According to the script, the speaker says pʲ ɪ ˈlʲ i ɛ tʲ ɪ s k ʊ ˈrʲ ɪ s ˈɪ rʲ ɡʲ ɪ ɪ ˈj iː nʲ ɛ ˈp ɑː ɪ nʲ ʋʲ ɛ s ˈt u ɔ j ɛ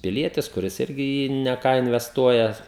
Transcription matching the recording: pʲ ɪ ˈlʲ i ɛ tʲ ɪ s k ʊ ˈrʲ ɪ s ˈɪ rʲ ɡʲ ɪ ɪ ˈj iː nʲ ɛ ˈk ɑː ɪ nʲ ʋʲ ɛ s ˈt u ɔ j ɛ